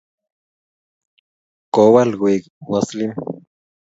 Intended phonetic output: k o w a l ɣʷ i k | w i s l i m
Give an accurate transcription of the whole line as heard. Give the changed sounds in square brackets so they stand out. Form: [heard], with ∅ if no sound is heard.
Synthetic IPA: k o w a l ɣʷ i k | w [a] s l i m